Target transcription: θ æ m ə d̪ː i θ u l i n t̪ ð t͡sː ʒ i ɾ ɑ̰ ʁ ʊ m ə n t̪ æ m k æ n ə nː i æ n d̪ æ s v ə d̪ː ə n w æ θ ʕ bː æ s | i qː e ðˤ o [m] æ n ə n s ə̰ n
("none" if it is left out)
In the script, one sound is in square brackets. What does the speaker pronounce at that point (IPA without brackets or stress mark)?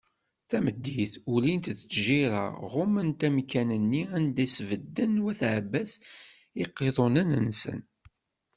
n